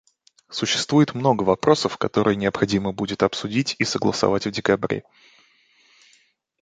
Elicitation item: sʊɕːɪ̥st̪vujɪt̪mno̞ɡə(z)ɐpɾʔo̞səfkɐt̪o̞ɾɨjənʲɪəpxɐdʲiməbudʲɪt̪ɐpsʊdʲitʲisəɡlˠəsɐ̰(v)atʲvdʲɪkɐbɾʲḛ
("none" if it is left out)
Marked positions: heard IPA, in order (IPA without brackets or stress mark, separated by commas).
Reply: v, v